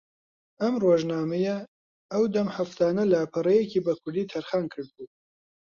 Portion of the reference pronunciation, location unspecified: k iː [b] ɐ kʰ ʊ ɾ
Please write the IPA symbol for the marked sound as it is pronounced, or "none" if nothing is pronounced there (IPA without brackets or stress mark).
b